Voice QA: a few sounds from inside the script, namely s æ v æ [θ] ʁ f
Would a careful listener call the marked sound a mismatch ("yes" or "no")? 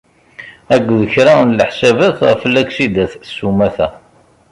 no